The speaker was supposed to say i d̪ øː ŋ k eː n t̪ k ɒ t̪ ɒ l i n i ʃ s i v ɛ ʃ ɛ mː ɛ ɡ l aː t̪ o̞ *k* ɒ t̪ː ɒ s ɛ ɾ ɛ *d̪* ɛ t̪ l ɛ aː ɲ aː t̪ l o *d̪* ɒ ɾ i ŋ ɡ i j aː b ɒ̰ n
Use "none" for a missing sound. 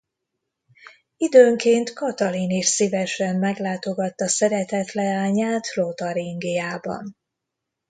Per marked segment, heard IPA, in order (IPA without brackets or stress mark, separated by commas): ɡ, t̪, t̪